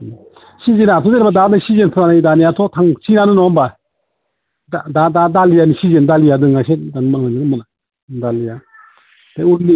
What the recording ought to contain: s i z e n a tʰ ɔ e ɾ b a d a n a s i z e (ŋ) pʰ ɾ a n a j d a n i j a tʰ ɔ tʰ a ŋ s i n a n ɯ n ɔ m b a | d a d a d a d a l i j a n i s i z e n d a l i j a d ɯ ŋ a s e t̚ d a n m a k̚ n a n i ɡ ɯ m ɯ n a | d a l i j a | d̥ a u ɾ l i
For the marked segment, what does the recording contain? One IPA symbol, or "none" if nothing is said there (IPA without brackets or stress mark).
n